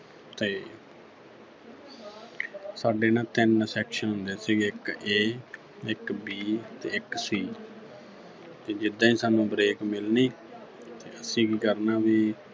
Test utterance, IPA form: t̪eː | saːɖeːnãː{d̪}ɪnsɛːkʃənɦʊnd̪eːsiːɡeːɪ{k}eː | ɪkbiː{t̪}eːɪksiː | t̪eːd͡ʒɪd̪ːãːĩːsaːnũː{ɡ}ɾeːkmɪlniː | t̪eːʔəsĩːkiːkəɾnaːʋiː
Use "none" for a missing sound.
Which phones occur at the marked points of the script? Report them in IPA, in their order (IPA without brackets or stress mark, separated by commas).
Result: t̪, k, t̪, b